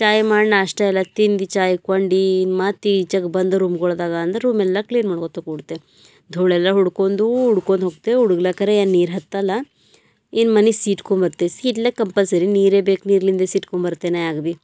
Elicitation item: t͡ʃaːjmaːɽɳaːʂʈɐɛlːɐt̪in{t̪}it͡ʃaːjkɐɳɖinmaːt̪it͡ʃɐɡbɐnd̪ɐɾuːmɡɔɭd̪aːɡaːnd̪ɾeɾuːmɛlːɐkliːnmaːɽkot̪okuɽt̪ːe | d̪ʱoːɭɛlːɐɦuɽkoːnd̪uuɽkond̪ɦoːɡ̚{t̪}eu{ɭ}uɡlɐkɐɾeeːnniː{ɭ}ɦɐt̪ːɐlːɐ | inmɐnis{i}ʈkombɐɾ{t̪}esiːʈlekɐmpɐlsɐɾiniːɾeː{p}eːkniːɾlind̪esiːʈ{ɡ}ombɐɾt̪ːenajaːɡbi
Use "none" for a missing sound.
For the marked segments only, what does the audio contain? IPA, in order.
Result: d̪, t̪, ɽ, ɾ, iː, t̪, b, k

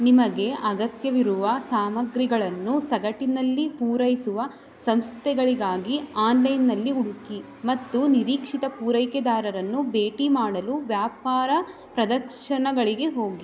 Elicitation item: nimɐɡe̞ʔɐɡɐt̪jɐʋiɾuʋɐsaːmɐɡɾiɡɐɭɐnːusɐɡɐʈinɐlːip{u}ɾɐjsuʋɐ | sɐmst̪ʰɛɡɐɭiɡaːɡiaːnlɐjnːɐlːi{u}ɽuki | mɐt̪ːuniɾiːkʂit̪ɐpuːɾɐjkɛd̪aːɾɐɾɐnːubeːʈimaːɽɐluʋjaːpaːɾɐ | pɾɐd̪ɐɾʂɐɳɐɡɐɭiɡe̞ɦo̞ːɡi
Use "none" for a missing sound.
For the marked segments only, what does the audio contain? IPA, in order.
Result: uː, u

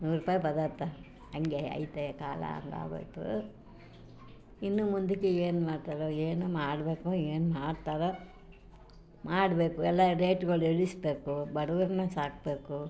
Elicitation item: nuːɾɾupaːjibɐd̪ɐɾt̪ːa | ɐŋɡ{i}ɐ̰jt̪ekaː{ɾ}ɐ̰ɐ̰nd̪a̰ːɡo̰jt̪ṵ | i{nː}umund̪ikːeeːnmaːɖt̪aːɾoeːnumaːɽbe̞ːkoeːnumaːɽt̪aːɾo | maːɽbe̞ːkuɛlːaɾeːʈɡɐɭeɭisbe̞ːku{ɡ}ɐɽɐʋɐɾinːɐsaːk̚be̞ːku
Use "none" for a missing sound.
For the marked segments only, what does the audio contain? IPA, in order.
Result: e, l, nː, b

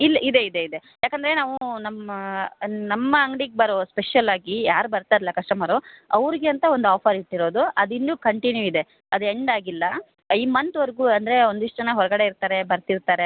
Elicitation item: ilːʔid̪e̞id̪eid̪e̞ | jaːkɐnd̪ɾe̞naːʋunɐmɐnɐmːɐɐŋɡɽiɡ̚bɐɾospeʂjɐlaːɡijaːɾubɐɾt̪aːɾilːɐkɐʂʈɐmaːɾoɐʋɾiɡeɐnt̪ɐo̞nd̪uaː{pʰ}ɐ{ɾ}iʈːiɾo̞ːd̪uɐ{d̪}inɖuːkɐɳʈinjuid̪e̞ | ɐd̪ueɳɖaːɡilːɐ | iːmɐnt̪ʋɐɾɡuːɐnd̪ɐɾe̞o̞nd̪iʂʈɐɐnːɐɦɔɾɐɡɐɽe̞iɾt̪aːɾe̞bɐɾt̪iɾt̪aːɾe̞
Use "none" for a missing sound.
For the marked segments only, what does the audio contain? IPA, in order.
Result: pʰ, ɾ, d̪

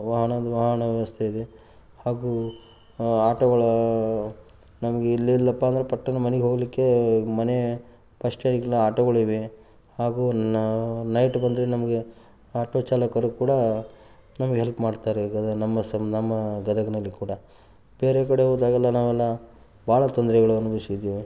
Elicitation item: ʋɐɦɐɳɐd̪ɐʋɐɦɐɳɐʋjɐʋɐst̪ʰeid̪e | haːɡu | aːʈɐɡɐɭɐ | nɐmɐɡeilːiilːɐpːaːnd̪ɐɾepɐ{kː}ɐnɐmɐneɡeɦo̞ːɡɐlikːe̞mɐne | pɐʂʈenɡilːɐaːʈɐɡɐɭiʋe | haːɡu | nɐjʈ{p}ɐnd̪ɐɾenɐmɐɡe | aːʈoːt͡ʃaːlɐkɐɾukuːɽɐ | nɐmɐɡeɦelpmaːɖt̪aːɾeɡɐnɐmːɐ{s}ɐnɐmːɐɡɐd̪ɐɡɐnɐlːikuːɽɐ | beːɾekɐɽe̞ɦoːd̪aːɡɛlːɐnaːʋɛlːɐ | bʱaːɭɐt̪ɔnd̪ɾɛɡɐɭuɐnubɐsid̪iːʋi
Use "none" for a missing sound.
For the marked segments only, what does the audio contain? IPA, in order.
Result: ʈː, b, s

